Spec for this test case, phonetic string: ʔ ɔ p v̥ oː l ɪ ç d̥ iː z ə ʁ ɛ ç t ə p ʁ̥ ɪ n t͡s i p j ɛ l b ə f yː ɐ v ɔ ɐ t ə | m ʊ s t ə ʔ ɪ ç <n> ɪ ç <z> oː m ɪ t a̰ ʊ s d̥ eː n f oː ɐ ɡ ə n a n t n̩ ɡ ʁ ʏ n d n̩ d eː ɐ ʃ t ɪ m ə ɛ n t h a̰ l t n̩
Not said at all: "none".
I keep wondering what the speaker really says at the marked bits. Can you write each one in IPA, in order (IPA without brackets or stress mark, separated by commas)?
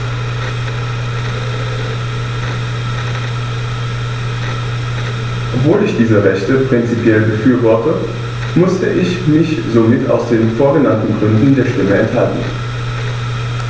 m, z